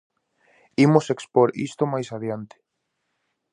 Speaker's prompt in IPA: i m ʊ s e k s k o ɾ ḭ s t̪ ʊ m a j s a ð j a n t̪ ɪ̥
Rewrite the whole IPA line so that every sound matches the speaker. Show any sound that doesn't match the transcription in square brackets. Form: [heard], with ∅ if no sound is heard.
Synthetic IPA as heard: i m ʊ s e k s [p] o ɾ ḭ s t̪ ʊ m a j s a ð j a n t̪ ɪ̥